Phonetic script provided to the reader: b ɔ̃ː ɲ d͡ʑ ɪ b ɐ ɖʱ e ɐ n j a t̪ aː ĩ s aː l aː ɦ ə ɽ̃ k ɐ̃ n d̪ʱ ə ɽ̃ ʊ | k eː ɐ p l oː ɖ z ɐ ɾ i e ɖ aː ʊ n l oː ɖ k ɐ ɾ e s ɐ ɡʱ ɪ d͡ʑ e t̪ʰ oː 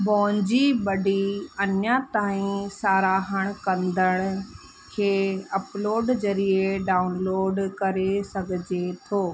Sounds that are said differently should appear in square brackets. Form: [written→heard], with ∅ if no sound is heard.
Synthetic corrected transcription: b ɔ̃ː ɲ d͡ʑ [ɪ→i] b ɐ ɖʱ [e→i] ɐ n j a t̪ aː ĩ s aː [l→ɾ] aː ɦ ə ɽ̃ k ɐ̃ n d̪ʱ ə ɽ̃ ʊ | [k→kʰ] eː ɐ p l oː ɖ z ɐ ɾ i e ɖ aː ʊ n l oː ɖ k ɐ ɾ e s ɐ ɡʱ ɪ d͡ʑ e t̪ʰ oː